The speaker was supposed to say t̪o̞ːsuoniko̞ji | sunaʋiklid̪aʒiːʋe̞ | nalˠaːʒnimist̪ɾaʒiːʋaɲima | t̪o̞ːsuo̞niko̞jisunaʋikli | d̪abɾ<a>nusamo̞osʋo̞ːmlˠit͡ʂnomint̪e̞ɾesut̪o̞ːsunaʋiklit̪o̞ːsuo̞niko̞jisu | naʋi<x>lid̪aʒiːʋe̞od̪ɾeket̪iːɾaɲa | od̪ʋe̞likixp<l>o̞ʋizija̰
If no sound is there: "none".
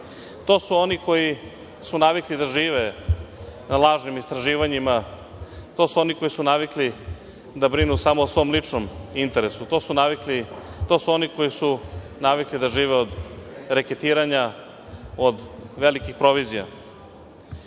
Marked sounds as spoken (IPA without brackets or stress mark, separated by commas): i, k, ɾ